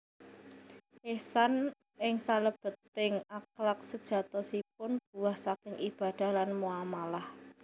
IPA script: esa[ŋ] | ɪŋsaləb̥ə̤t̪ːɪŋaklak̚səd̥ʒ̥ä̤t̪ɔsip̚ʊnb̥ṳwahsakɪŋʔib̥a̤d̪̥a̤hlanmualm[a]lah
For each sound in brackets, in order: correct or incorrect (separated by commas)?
incorrect, correct